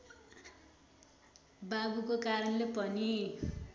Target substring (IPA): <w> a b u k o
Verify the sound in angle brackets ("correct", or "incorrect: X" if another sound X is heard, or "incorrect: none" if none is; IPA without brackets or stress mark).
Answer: incorrect: b